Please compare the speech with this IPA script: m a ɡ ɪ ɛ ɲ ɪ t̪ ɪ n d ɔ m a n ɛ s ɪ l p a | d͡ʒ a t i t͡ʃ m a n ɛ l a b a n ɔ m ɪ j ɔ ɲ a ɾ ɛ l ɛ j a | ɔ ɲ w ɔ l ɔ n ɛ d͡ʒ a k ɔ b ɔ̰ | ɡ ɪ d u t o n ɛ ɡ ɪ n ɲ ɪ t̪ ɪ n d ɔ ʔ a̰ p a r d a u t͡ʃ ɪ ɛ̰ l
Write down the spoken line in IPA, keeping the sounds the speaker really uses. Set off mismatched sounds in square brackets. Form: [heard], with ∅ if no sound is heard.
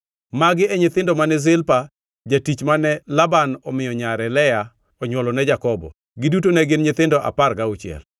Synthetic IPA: m a ɡ ɪ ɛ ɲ ɪ t̪ ɪ n d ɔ m a n ɛ [z] ɪ l p a | d͡ʒ a t i t͡ʃ m a n ɛ l a b a n ɔ m ɪ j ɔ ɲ a ɾ ɛ l ɛ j a | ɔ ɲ w ɔ l ɔ n ɛ d͡ʒ a k ɔ b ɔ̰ | ɡ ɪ d u t o n ɛ ɡ ɪ n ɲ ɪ t̪ ɪ n d ɔ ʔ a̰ p a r [ɡ] a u t͡ʃ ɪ ɛ̰ l